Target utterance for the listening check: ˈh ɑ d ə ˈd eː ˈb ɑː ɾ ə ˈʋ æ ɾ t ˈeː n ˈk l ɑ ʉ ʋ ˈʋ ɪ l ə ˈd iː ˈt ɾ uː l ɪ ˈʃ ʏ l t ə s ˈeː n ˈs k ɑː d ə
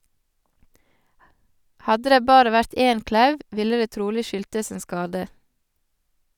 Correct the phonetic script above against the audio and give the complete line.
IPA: ˈh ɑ d ə ˈd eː ˈb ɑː ɾ ə ˈʋ æ ɾ t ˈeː n ˈk l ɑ ʉ ʋ ˈʋ ɪ l ə ˈd eː ˈt ɾ uː l ɪ ˈʃ ʏ l t ə s ˈeː n ˈs k ɑː d ə